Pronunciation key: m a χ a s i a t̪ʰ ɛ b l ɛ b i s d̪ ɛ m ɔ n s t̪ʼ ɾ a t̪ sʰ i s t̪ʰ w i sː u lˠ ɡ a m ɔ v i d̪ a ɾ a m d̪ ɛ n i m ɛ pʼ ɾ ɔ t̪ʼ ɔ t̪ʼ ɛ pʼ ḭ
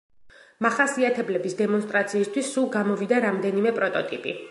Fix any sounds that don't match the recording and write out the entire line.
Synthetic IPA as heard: m a χ a s i a t̪ʰ ɛ b l ɛ b i s d̪ ɛ m ɔ n s t̪ʼ ɾ a t̪ sʰ iː s t̪ʰ w i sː u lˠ ɡ a m ɔ v i d̪ a ɾ a m d̪ ɛ n i m ɛ pʼ ɾ ɔ t̪ʼ ɔ t̪ʼ i pʼ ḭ